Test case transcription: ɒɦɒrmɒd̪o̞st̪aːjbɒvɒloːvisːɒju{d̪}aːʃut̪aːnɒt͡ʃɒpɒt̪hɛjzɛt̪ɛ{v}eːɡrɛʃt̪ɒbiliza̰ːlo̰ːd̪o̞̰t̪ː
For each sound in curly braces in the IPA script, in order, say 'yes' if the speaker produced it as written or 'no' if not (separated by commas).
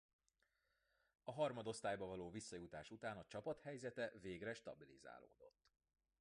no, yes